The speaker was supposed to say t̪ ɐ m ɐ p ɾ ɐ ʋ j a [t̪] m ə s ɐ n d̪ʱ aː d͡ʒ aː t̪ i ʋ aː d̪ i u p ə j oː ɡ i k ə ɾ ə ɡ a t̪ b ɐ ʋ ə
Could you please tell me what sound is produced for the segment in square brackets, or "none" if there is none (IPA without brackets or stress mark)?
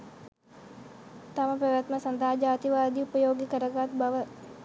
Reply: t̪